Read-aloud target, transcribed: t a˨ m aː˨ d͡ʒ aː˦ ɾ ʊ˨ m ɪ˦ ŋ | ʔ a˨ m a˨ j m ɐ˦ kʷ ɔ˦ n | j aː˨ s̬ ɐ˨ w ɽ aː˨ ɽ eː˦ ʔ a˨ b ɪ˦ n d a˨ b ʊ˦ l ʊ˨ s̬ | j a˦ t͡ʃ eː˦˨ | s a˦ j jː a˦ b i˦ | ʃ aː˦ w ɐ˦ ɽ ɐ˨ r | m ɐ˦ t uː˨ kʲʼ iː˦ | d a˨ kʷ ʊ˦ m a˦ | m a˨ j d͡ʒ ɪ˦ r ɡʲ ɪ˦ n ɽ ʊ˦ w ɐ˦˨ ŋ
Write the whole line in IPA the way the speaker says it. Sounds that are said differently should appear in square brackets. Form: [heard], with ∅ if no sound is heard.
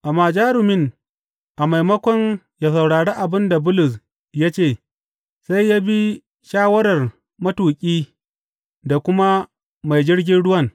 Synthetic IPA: [ʔ] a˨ m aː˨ d͡ʒ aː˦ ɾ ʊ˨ m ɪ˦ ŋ | ʔ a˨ m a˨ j m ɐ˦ kʷ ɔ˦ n | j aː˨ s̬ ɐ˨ w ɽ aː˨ ɽ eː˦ ʔ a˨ b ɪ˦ n d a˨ b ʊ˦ l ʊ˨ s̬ | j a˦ t͡ʃ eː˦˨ | s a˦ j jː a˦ b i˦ | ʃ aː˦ w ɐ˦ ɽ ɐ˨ r | m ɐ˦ t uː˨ kʲʼ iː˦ | d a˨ kʷ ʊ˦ m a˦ | m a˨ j d͡ʒ ɪ˦ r ɡʲ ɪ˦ n ɽ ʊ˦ w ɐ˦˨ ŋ